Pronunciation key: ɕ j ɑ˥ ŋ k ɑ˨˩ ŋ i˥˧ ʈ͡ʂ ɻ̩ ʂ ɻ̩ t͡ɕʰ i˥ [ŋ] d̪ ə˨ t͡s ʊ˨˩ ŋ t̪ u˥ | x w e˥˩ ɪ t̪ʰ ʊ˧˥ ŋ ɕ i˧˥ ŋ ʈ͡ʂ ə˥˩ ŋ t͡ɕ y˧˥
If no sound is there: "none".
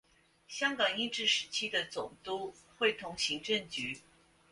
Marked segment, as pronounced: none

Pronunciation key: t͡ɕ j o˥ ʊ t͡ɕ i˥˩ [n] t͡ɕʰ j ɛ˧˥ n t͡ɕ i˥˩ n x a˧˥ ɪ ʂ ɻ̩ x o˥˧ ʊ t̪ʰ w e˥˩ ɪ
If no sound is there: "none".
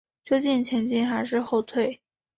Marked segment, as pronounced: n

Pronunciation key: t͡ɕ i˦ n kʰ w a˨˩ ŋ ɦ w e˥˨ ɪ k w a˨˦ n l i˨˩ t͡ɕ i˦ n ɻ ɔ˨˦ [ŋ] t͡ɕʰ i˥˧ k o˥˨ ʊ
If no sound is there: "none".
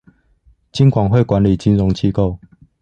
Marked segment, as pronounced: ŋ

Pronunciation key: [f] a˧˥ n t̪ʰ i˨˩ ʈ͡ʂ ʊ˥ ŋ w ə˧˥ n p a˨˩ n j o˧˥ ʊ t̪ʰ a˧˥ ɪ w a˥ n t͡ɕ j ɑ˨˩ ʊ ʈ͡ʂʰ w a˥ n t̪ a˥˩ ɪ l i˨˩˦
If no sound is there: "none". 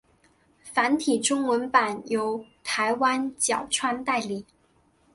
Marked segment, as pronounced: f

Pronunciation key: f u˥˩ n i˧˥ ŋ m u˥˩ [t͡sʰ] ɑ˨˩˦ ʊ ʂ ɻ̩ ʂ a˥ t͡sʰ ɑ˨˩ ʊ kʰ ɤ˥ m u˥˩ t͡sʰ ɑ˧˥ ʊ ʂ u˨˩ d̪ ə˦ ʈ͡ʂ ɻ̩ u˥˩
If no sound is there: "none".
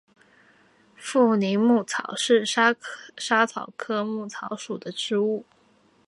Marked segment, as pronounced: t͡sʰ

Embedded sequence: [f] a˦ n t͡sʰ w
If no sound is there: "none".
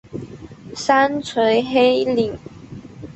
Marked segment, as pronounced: s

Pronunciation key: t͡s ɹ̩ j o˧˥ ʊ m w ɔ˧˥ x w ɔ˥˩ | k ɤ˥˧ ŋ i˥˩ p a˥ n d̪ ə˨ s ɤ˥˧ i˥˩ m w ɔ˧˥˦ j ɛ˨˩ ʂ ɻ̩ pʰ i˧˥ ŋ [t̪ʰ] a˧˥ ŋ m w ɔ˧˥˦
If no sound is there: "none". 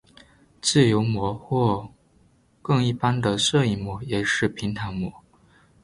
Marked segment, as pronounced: t̪ʰ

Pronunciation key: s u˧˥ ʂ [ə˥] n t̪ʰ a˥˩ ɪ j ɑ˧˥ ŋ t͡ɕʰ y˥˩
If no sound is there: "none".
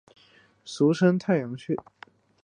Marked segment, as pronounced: ə˥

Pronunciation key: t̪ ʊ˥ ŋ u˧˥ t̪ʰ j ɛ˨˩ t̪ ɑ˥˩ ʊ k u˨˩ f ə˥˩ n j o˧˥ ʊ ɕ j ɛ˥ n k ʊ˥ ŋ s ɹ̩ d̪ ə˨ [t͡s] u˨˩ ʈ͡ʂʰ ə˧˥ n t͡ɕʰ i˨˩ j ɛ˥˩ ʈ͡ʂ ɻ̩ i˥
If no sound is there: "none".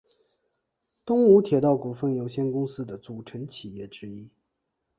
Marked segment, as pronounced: t͡s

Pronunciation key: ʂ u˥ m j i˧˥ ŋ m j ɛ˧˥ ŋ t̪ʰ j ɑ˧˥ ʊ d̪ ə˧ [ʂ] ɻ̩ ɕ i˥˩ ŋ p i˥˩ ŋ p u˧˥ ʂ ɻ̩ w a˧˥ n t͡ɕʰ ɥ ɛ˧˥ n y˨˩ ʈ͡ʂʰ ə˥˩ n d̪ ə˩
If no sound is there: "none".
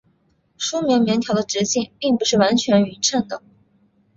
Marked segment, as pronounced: ʈ͡ʂ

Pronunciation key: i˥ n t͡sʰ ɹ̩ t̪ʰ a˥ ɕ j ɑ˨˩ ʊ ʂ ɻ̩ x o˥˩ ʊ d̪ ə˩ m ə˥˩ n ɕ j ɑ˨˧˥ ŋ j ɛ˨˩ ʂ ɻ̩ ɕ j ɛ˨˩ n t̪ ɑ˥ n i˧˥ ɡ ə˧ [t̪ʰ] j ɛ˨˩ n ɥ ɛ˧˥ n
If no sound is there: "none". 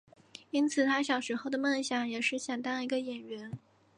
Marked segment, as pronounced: none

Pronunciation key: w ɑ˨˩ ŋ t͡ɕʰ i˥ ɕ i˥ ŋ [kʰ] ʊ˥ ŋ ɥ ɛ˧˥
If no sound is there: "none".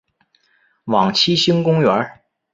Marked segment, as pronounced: k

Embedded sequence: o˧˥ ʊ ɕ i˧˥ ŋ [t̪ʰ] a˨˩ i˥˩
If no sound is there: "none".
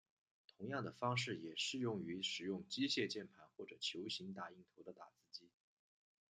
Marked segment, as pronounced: t̪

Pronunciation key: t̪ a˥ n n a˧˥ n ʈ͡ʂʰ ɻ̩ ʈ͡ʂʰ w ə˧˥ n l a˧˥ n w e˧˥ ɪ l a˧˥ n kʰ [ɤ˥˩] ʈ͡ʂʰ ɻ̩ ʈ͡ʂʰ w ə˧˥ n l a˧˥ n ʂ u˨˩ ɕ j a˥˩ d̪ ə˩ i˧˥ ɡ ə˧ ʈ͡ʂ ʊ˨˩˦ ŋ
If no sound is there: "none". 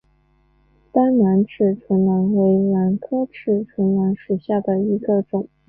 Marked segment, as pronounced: ɤ˥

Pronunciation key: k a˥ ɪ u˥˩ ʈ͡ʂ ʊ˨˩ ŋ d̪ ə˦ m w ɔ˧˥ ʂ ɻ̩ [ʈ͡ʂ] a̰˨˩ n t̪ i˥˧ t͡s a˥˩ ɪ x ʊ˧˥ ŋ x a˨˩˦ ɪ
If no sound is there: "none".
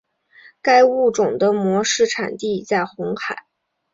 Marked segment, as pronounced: ʈ͡ʂʰ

